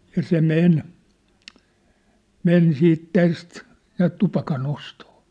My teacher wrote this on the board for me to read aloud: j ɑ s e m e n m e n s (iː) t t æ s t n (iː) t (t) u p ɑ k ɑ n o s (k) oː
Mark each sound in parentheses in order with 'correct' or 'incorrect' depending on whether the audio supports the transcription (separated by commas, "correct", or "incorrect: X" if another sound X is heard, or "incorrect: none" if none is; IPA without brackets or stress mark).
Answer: correct, incorrect: æː, correct, incorrect: t